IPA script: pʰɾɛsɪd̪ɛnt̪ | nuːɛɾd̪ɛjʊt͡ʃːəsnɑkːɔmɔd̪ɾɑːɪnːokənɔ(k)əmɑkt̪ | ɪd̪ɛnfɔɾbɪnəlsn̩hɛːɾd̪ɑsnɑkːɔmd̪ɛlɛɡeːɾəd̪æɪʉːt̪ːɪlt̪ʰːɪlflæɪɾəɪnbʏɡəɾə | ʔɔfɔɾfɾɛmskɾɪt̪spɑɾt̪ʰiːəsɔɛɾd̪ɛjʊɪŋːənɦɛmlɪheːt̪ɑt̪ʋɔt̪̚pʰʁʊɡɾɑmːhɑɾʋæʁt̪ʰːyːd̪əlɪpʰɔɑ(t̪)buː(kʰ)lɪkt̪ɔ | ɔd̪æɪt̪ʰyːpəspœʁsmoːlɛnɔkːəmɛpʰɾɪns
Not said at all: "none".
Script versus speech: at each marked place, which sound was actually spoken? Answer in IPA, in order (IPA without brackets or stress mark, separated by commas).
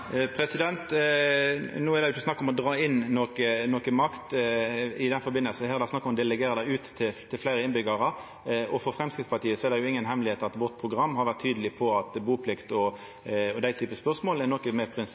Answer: k, t̪, pʰ